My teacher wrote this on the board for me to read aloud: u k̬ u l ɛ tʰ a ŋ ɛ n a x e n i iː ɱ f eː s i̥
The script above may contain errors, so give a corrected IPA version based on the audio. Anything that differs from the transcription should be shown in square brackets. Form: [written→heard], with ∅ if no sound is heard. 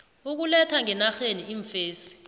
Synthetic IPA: u k̬ u l ɛ tʰ a ŋ ɛ n a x e n i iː ɱ f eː s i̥